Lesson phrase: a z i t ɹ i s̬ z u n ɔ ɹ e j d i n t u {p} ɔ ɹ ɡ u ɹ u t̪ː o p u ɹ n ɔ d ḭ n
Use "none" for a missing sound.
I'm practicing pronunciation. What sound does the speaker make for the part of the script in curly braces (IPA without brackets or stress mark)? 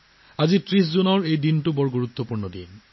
b